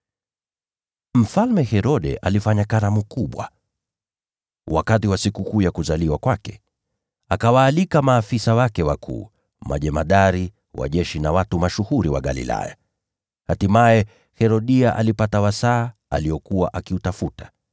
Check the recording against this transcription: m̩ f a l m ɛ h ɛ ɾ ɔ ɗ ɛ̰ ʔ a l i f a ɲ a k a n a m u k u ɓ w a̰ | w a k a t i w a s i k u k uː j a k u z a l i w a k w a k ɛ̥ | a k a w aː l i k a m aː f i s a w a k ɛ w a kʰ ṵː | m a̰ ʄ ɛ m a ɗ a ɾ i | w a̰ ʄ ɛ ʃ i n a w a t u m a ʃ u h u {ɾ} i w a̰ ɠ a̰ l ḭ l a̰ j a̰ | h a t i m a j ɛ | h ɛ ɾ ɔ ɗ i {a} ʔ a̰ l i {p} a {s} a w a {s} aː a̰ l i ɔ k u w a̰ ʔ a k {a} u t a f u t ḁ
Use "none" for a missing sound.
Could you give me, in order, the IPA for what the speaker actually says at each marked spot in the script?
ɾ, a, p, t, s, i

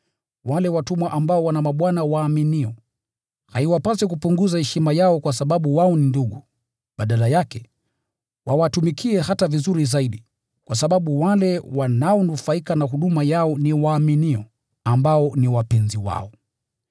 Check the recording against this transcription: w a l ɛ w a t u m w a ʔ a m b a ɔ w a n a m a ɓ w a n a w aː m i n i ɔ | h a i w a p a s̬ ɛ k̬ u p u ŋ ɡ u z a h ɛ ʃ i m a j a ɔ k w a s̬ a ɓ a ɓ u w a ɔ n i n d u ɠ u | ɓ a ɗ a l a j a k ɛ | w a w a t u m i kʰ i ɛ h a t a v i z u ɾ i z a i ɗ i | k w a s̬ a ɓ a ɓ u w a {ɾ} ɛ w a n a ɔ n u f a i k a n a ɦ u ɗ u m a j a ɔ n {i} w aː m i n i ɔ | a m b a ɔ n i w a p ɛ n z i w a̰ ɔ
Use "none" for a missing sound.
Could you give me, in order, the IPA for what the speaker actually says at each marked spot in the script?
l, i

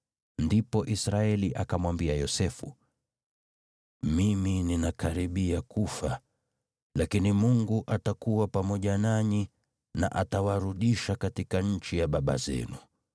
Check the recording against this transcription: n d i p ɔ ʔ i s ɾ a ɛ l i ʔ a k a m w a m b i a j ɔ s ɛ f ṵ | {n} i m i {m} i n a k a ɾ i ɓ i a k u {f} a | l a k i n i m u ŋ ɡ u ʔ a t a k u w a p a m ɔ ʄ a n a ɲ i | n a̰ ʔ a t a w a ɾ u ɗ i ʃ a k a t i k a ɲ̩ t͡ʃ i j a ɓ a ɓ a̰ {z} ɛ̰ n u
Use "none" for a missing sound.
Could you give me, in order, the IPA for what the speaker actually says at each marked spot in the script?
m, n, f, z

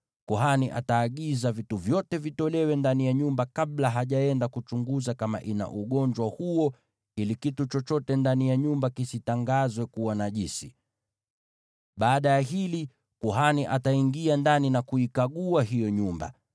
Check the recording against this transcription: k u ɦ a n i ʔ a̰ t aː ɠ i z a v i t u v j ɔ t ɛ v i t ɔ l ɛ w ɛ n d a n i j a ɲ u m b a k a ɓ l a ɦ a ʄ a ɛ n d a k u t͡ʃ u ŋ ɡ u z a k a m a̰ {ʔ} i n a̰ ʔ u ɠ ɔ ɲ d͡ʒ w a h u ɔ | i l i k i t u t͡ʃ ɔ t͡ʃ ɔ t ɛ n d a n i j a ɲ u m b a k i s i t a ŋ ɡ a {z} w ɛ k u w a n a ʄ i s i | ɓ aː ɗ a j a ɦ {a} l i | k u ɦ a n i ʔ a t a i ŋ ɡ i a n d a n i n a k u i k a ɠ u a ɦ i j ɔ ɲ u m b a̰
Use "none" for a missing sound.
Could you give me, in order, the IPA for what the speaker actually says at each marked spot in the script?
ʔ, z, i

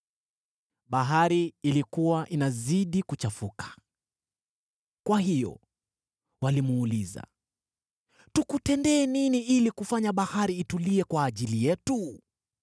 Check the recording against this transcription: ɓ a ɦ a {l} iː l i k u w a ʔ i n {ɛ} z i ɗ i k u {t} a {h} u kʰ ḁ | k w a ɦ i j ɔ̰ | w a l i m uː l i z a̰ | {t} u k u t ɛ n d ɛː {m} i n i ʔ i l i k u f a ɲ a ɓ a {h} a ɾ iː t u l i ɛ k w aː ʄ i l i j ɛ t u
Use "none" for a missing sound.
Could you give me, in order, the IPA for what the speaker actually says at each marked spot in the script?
ɾ, a, t͡ʃ, f, t, n, h

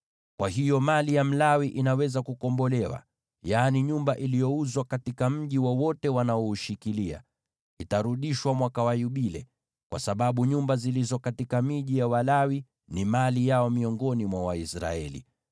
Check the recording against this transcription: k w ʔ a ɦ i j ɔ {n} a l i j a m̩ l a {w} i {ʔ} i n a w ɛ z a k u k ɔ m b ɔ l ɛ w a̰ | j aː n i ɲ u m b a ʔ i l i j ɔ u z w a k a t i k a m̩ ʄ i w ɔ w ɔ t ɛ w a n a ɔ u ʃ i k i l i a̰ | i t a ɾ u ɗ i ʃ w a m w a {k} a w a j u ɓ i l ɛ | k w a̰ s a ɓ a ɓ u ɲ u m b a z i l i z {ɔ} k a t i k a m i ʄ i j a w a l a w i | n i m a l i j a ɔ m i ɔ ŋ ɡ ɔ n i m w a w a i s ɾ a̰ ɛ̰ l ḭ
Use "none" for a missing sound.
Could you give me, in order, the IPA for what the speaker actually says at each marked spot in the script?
m, w, ʔ, k, ɔ

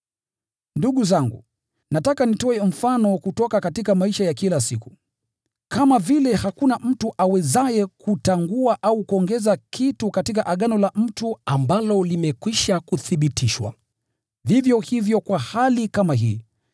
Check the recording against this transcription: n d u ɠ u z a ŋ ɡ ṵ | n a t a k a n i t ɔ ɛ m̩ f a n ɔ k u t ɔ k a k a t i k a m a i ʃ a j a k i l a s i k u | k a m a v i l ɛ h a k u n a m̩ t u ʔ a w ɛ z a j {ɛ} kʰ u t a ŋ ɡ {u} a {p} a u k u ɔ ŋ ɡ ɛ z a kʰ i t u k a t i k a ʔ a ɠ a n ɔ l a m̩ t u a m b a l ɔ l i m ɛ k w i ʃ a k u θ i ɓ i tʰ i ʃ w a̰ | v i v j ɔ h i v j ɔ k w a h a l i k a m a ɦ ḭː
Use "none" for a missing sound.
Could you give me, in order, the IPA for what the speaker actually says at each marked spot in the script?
ɛ, u, ʔ

